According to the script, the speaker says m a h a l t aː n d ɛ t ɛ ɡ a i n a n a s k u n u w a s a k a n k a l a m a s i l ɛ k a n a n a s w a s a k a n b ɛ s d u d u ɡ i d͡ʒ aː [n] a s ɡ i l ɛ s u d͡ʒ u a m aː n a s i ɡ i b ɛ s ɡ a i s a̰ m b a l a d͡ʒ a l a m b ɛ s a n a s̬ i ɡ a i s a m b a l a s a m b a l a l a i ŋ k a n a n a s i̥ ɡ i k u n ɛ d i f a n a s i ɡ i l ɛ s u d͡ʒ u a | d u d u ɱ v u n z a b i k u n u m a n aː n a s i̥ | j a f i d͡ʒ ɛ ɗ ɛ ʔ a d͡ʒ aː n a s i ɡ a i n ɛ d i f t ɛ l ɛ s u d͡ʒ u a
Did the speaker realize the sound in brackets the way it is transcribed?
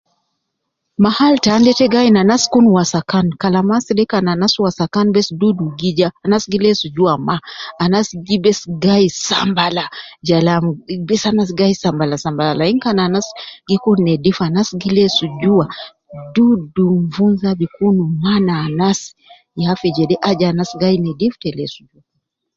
yes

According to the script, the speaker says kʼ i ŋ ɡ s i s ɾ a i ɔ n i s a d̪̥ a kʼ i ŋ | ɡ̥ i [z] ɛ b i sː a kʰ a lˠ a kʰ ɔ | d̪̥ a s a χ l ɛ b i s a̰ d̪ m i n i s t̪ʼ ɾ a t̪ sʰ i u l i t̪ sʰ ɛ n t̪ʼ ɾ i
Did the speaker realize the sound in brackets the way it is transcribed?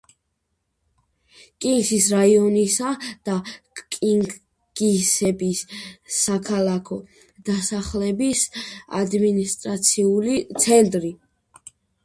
no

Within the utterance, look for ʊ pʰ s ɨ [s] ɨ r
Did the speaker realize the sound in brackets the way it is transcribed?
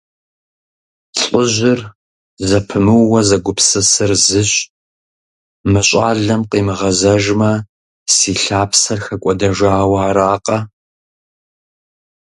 yes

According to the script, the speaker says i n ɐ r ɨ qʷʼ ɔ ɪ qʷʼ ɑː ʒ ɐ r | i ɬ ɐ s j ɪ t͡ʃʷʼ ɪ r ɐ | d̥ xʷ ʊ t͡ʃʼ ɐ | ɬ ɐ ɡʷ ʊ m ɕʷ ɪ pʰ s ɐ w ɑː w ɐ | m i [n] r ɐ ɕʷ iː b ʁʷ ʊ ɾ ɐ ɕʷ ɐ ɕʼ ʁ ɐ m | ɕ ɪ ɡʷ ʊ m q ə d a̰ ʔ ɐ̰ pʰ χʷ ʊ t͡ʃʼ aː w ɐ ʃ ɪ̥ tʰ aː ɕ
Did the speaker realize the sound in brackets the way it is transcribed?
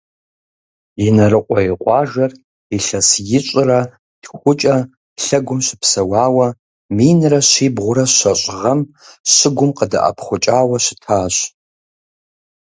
yes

